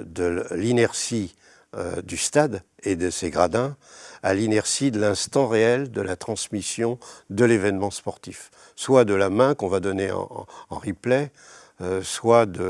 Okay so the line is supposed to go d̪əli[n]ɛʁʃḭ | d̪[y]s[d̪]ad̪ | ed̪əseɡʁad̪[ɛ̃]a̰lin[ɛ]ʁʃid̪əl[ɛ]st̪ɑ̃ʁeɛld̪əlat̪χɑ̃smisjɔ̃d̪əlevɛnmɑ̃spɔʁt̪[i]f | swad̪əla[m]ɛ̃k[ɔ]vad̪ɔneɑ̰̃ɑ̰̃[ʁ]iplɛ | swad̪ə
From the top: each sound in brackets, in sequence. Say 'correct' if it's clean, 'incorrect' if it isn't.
correct, correct, incorrect: t̪, correct, correct, incorrect: ɛ̃, correct, correct, incorrect: ɔ̃, correct

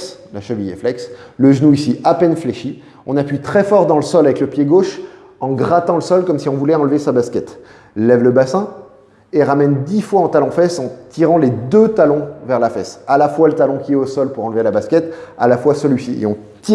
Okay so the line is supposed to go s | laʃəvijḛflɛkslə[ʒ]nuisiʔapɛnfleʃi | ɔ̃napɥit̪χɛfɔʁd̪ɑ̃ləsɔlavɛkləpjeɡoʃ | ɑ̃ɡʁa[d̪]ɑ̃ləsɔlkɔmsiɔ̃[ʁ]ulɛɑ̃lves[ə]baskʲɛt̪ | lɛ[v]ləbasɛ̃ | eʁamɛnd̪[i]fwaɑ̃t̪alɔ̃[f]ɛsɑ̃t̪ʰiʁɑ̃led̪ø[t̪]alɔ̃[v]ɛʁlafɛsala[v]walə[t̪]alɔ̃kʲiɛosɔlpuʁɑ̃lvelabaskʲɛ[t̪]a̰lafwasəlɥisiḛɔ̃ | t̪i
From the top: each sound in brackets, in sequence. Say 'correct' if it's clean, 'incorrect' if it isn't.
correct, incorrect: t̪, incorrect: v, incorrect: a, correct, correct, correct, correct, correct, incorrect: f, correct, correct

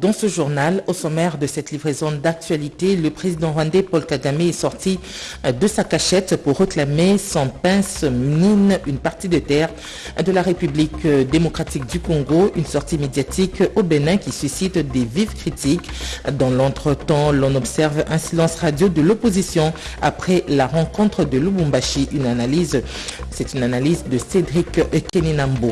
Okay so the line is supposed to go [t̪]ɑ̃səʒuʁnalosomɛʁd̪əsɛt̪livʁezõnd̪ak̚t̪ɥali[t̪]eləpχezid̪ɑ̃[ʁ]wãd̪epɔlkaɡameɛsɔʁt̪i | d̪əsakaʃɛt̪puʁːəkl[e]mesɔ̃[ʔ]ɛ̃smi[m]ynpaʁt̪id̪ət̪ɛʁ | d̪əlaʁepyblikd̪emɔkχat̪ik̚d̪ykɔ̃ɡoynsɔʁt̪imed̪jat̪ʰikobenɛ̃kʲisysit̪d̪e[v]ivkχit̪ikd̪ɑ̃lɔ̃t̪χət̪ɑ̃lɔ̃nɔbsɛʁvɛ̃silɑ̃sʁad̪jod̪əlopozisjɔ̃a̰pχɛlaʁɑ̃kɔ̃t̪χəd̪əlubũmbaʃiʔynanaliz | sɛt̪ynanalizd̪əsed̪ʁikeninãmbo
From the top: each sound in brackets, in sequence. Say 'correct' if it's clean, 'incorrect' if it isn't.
incorrect: d̪, correct, correct, incorrect: a, incorrect: p, incorrect: n, correct

